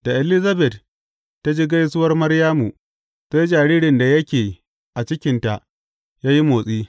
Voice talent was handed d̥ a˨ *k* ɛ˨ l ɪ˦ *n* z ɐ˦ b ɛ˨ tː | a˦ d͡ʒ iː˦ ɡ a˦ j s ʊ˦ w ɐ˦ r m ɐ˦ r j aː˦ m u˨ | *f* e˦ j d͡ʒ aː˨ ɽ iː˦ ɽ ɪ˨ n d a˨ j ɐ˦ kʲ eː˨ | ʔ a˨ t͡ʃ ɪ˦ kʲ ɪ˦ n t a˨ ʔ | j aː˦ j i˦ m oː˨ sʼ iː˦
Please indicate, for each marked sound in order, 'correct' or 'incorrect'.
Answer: incorrect, incorrect, incorrect

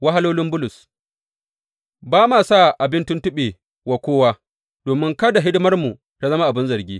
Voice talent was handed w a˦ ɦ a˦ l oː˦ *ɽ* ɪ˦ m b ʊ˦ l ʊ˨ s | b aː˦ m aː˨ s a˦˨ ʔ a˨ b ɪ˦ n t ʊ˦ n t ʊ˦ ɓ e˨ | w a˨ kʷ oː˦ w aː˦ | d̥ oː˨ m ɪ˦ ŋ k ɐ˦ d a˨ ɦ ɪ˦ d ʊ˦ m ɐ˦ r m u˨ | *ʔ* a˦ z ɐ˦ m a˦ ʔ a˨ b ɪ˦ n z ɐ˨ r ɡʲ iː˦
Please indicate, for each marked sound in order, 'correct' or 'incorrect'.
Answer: incorrect, incorrect

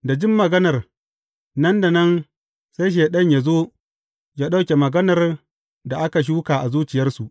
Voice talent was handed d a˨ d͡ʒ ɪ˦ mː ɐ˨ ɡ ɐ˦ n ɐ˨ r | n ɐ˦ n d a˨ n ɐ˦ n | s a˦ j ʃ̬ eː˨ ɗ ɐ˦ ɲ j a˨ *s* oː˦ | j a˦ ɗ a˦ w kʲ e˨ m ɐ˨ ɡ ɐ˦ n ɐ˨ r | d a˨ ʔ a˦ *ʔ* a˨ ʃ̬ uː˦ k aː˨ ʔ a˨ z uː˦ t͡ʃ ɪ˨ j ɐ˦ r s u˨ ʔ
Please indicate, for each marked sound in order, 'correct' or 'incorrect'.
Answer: incorrect, incorrect

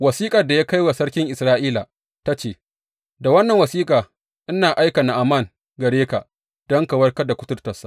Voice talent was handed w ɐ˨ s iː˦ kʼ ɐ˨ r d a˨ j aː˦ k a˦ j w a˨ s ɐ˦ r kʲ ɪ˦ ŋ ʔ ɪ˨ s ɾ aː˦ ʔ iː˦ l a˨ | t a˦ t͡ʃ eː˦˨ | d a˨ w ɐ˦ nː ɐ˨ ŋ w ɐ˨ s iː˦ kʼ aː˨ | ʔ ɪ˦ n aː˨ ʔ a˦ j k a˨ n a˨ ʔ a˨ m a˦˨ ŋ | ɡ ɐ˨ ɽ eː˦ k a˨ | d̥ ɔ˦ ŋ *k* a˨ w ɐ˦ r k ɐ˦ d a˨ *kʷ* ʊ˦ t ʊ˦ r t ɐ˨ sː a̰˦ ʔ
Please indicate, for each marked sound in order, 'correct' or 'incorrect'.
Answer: correct, correct

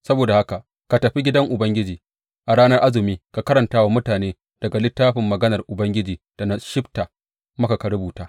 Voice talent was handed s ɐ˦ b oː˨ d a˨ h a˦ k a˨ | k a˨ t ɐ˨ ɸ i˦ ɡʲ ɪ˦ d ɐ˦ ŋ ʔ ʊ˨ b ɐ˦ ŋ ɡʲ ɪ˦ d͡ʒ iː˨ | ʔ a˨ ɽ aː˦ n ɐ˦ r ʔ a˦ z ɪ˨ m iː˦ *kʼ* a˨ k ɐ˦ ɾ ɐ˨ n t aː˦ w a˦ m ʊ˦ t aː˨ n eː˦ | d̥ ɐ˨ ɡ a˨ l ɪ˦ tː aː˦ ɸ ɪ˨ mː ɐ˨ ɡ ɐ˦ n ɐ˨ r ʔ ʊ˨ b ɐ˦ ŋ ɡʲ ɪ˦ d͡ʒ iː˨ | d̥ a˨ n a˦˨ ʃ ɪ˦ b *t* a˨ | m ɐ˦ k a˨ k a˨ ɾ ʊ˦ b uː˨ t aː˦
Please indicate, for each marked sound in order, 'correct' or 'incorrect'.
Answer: incorrect, correct

